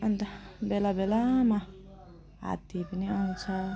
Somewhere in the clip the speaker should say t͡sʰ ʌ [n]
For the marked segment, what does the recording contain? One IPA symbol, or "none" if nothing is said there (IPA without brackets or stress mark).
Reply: none